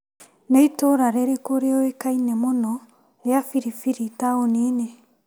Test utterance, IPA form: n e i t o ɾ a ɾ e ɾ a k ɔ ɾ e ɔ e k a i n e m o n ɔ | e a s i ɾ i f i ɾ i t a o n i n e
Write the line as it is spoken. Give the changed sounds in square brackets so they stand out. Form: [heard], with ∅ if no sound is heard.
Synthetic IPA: n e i t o ɾ a ɾ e ɾ [e] k [o] ɾ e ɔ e k a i n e m o n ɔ | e a [f] i ɾ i f i ɾ i t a o n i n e